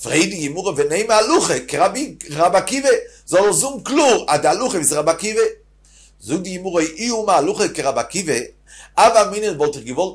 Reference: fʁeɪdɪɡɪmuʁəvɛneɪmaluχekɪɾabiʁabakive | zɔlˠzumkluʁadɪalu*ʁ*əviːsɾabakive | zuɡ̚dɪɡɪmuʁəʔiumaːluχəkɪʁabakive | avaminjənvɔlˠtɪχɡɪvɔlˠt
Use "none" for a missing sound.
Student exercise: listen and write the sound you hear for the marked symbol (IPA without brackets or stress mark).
χ